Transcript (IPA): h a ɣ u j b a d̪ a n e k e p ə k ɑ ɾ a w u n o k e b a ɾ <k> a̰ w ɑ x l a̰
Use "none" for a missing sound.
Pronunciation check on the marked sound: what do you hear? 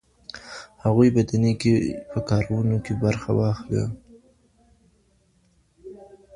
x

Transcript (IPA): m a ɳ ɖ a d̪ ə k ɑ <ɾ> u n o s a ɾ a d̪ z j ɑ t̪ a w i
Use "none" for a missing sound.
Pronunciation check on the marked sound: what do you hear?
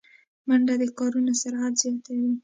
ɾ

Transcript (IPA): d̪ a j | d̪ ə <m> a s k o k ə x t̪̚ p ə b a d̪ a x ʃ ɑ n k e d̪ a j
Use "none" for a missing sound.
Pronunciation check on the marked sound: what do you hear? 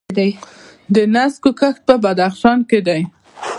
n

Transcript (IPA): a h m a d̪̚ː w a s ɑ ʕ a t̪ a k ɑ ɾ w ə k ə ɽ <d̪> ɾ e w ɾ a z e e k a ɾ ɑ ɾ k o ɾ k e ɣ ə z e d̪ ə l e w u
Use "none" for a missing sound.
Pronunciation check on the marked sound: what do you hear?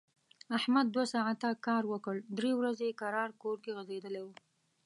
d̪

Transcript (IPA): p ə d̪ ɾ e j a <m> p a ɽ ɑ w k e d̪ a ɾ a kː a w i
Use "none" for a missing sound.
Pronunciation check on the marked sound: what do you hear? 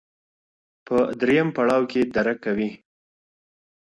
m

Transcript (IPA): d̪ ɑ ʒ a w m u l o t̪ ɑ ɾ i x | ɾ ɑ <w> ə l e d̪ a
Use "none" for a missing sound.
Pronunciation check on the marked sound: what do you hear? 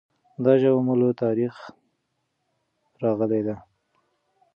ɣ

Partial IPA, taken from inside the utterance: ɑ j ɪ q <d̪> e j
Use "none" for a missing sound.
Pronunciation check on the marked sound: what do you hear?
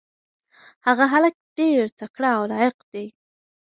d̪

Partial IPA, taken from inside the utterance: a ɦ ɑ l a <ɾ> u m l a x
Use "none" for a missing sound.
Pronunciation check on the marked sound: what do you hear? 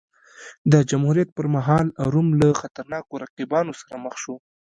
ɾ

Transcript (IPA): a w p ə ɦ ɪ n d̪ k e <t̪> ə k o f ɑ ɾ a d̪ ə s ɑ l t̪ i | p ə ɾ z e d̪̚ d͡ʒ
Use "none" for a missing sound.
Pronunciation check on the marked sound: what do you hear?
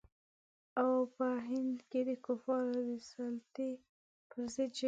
d̪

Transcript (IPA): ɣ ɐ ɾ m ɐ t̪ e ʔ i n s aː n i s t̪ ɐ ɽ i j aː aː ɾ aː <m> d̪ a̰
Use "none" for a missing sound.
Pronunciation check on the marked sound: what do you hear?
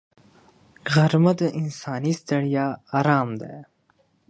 m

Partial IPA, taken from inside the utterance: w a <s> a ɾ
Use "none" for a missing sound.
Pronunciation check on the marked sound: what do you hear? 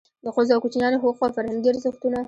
f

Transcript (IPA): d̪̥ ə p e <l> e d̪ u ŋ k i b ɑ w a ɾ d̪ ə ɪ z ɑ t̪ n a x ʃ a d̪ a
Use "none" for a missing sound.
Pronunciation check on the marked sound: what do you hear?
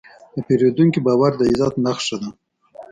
ɾ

